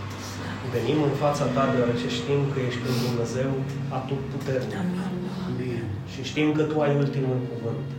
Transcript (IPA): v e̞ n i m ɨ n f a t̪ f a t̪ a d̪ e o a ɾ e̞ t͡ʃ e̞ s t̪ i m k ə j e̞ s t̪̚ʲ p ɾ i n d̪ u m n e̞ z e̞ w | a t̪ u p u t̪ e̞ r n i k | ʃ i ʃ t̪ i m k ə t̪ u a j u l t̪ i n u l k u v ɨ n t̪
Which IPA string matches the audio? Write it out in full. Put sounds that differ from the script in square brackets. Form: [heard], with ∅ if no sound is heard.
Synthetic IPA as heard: v e̞ n i m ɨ n f a t̪ [s] a t̪ a d̪ e o a ɾ e̞ t͡ʃ e̞ [ʃ] t̪ i m k ə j e̞ [ʃ] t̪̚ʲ p ɾ i n d̪ u m n e̞ z e̞ w | a t̪ u p u t̪ e̞ r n i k | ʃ i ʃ t̪ i m k ə t̪ u a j u l t̪ i [m] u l k u v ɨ n t̪